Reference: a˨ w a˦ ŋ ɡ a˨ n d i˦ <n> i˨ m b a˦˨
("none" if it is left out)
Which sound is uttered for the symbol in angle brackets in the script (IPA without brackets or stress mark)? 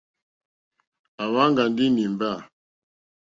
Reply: n